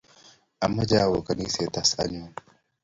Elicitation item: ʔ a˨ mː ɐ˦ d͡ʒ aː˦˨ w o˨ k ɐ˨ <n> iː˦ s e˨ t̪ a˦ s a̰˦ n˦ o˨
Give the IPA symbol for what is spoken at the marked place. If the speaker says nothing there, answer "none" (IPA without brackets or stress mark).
n